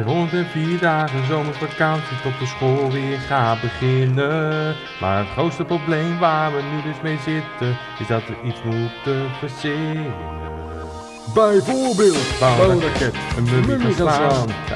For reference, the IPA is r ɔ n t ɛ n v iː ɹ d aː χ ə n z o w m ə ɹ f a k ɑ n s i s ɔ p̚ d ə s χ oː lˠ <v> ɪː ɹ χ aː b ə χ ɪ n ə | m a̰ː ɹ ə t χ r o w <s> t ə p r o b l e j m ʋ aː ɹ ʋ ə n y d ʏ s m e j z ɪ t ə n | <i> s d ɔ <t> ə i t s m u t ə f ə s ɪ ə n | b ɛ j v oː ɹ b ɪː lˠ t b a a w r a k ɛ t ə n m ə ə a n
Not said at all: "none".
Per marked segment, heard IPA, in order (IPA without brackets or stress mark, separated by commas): ʋ, s, ɪ, t